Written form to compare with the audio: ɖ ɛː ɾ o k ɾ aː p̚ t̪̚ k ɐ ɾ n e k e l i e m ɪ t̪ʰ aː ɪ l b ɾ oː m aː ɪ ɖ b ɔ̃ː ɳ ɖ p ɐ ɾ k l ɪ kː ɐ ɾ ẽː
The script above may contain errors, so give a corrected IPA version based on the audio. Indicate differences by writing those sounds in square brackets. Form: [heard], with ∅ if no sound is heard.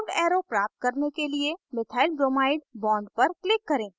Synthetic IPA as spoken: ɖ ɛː ɾ o [p] ɾ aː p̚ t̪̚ k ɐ ɾ n e k e l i e m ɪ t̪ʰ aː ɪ l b ɾ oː m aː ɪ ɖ b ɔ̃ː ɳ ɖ p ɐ ɾ k l ɪ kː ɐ ɾ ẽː